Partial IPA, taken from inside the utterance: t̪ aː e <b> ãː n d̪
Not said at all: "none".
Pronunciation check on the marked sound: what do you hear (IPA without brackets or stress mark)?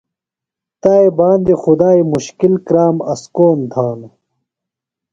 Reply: b